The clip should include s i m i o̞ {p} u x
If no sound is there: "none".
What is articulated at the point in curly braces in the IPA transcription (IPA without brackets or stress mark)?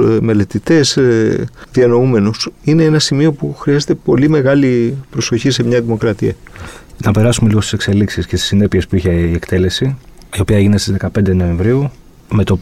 p